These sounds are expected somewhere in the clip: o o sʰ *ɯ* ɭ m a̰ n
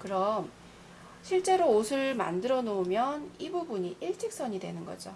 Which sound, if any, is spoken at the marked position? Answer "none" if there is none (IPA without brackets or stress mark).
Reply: ɯ